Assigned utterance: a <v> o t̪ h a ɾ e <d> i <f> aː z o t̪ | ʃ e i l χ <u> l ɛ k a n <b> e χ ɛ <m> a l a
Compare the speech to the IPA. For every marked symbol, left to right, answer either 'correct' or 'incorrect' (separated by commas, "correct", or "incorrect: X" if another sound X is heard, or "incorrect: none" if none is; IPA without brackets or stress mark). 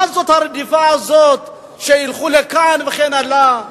incorrect: z, correct, correct, correct, incorrect: v, incorrect: n